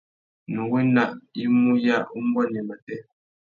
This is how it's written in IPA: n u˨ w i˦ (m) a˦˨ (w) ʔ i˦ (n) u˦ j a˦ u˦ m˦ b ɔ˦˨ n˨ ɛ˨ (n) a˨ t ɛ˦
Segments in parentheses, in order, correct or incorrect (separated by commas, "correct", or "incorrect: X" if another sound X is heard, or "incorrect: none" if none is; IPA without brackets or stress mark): incorrect: n, incorrect: none, incorrect: m, incorrect: m